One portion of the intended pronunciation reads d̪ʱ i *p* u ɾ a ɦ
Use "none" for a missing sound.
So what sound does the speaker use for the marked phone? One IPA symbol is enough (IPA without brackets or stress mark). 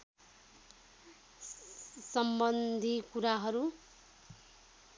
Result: k